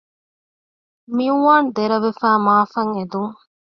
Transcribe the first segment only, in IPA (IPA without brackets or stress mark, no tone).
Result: m